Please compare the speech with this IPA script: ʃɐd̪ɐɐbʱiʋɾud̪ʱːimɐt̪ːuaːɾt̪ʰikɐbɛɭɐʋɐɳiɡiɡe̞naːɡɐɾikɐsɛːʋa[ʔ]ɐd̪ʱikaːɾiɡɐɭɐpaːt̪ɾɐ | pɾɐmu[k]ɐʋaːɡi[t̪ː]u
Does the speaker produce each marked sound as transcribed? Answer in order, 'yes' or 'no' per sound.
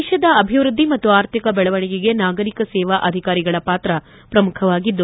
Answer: yes, no, no

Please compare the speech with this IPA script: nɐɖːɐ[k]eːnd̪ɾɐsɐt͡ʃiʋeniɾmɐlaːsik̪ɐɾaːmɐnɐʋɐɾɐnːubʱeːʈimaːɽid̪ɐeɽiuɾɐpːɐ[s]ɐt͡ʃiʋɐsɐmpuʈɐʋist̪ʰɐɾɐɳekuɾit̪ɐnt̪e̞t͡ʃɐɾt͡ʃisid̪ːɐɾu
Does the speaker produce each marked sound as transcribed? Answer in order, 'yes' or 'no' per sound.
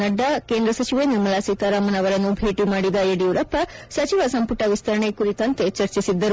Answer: yes, yes

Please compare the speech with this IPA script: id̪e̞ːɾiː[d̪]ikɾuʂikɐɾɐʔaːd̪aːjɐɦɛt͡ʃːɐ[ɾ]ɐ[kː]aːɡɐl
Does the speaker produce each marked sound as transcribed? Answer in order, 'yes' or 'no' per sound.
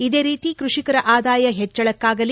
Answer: no, no, yes

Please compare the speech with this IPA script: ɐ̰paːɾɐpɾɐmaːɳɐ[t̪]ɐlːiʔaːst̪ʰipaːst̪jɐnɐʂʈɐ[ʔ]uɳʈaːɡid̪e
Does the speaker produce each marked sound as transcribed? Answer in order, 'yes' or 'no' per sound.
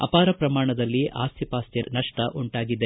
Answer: no, yes

